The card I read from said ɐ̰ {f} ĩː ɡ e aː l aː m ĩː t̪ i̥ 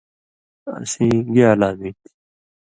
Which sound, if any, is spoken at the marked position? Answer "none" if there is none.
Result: s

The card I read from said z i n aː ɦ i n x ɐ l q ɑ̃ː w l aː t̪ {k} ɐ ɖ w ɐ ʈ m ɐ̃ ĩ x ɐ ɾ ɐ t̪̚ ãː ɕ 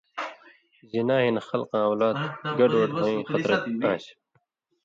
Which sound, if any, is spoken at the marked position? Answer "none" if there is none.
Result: ɡ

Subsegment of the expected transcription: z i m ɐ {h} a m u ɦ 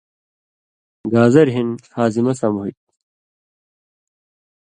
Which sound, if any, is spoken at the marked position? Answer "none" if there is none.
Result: s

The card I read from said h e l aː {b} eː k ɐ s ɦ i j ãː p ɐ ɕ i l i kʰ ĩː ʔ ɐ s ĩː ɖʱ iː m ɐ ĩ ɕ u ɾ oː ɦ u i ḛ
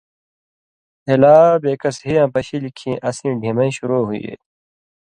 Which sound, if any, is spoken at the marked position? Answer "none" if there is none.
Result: b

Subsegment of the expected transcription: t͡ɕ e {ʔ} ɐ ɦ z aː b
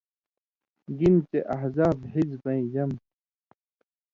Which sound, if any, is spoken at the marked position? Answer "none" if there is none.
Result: ʔ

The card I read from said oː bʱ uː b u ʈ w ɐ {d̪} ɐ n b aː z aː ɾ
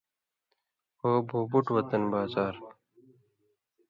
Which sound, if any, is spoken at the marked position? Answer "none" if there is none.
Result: t̪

